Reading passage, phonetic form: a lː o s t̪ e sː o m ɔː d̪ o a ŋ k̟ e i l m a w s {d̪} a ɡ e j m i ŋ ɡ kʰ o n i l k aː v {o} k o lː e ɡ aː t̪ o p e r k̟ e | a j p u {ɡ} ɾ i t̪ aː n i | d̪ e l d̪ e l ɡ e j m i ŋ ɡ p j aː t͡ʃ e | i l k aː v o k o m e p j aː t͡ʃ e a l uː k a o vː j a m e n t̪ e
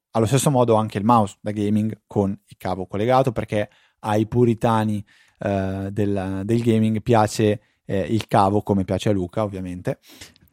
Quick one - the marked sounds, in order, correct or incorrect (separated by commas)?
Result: correct, correct, incorrect